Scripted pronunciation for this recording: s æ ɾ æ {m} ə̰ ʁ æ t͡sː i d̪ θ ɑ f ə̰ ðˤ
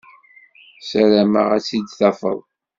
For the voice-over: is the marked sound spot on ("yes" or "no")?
yes